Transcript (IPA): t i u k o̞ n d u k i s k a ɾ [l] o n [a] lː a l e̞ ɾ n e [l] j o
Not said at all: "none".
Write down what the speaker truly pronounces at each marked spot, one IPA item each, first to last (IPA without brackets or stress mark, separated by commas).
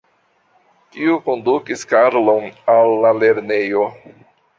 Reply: l, a, none